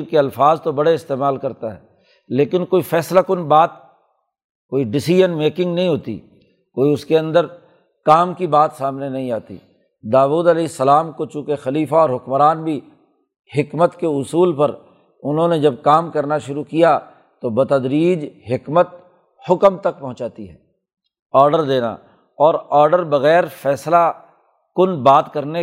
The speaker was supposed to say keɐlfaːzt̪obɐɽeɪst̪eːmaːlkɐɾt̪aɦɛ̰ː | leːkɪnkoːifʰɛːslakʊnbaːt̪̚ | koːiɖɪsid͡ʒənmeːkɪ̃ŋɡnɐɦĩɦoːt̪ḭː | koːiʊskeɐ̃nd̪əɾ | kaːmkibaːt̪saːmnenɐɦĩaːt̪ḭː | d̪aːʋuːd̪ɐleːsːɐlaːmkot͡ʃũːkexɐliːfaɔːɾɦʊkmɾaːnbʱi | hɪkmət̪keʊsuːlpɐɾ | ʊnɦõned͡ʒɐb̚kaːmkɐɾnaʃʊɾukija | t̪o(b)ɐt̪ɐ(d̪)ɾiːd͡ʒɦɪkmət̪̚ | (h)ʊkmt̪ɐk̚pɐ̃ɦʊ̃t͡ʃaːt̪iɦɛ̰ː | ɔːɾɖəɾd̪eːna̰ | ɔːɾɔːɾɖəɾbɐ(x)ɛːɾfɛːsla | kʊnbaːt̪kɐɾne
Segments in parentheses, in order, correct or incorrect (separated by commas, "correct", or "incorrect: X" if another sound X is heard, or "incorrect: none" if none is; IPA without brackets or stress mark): correct, correct, correct, incorrect: ɣ